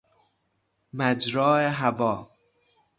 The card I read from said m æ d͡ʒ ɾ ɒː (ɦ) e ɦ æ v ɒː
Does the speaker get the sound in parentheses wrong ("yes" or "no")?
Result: yes